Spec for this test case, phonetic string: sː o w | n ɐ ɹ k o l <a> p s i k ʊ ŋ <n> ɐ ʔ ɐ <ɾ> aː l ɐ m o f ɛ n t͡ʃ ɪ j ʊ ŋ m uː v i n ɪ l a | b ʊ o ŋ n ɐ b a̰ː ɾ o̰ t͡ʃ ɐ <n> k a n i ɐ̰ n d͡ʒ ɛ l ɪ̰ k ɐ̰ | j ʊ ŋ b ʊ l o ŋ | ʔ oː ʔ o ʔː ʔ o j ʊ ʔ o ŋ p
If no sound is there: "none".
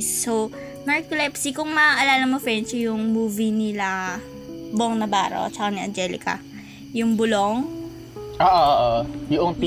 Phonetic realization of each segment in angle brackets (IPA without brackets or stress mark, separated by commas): ɛ, m, l, none